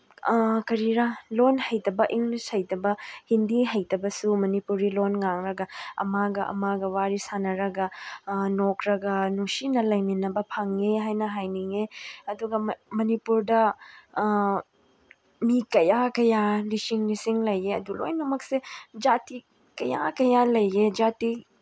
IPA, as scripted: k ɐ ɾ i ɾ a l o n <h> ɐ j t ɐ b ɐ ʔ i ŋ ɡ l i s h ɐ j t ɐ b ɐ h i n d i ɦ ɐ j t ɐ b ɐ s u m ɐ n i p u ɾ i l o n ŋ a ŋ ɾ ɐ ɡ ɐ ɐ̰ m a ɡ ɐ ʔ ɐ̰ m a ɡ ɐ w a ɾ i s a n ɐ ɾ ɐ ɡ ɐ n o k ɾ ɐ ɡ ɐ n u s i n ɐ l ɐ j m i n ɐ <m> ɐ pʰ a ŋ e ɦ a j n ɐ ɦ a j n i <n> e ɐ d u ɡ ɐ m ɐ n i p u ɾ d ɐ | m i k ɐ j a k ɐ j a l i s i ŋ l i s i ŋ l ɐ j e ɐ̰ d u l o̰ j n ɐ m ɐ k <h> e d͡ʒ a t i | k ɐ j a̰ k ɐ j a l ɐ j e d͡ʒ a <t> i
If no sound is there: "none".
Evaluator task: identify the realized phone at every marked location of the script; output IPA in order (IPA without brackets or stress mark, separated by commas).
h, b, ŋ, s, t